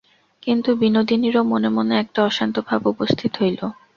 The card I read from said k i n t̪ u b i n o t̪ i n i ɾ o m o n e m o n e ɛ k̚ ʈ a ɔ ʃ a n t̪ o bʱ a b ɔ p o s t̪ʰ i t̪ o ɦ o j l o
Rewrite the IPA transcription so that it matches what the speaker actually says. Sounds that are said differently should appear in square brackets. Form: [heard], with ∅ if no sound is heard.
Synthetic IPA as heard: k i n t̪ u b i n o [d̪] i n i ɾ o m o n e m o n e ɛ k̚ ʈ a ɔ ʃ a n t̪ o bʱ a b [u] p o s t̪ʰ i t̪ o ɦ o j l o